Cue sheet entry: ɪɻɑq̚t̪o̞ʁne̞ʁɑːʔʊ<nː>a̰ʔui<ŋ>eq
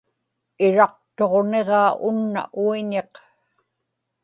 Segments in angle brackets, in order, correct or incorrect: correct, incorrect

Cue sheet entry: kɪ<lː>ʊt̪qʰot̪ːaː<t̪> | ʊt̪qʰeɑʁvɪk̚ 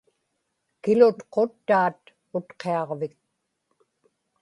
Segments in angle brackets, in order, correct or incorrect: incorrect, correct

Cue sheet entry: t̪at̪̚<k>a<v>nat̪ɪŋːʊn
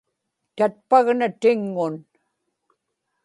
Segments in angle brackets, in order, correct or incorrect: incorrect, incorrect

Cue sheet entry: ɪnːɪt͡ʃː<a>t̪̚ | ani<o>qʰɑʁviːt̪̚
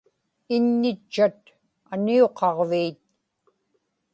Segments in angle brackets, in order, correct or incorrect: correct, correct

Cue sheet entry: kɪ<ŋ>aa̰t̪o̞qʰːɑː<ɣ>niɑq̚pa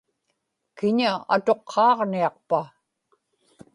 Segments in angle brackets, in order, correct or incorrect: incorrect, incorrect

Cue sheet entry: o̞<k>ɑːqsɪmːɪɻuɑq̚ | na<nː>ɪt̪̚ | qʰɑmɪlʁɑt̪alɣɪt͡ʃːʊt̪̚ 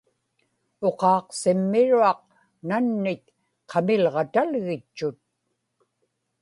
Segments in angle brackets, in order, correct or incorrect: incorrect, correct

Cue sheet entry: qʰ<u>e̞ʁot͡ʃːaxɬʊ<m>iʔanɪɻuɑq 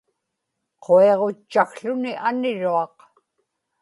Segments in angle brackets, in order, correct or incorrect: incorrect, incorrect

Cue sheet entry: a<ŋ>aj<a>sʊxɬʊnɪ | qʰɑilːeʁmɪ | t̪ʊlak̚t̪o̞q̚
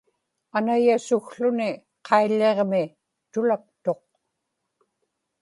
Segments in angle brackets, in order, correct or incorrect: incorrect, correct

